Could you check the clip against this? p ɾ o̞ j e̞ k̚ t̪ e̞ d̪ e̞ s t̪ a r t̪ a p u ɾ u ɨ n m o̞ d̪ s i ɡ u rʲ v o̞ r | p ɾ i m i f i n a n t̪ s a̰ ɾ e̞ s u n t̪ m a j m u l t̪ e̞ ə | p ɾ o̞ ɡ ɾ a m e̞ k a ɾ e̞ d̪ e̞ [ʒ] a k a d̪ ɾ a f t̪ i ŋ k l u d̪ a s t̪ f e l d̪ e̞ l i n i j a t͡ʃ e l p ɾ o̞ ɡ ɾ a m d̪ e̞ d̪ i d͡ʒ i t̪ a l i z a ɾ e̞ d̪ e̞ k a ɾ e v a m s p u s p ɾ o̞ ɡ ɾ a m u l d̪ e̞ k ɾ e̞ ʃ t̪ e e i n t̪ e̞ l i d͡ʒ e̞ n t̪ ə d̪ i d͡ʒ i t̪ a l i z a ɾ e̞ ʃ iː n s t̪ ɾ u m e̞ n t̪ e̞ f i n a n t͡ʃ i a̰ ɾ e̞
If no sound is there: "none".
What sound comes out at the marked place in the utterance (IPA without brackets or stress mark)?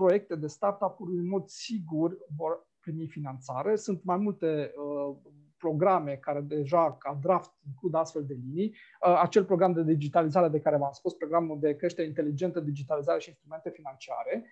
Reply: ʒ